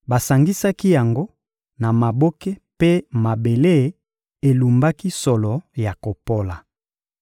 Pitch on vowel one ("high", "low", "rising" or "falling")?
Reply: low